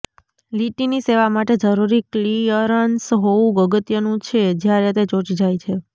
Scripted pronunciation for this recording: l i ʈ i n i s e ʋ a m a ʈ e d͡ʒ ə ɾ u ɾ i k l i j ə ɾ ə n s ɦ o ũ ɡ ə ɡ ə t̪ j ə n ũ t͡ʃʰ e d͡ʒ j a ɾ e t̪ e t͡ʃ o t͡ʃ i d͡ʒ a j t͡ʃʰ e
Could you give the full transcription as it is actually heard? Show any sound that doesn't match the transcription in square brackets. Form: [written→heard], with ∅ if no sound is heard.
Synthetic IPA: l i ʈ i n i s e ʋ a m a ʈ e d͡ʒ ə ɾ u ɾ i k l i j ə ɾ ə n s ɦ o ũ ɡ ə ɡ ə t̪ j ə n ũ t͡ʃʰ e d͡ʒ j a ɾ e t̪ e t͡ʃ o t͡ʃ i d͡ʒ a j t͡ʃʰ e